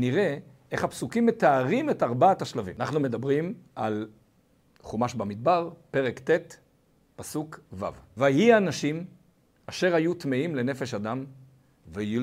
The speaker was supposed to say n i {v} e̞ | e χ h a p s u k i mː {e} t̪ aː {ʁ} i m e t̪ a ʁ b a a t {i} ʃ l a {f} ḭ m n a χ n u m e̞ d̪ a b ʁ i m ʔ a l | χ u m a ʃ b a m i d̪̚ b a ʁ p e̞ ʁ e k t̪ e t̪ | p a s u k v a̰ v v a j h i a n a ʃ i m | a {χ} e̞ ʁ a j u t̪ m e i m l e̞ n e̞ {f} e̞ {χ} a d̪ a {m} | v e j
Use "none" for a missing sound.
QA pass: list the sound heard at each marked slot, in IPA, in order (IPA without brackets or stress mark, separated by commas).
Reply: ʁ, e, ʁ, a, v, ʃ, f, ʃ, m